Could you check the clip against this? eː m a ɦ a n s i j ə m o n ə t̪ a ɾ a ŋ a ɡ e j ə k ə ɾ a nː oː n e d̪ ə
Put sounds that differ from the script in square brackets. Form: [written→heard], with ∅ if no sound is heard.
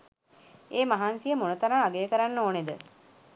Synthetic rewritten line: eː m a ɦ a n s i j ə m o n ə t̪ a ɾ a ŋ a ɡ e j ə k ə ɾ a nː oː n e d̪ ə